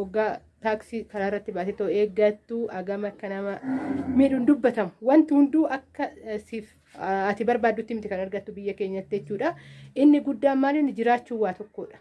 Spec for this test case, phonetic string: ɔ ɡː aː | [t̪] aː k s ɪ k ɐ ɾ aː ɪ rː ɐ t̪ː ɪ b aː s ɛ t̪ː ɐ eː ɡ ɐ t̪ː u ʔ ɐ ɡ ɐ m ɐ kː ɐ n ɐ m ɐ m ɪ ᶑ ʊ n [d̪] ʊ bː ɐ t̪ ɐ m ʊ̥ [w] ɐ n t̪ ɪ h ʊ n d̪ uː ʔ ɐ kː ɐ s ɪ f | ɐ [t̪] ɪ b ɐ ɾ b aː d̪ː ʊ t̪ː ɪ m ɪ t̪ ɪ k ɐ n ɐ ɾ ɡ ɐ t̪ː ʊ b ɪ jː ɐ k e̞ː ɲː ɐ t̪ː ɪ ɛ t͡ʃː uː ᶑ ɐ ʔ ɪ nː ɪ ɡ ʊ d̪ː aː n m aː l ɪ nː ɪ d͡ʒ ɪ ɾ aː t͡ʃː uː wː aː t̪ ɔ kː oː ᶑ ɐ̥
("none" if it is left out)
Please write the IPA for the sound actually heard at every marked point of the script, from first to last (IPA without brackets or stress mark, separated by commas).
t̪, d̪, w, t̪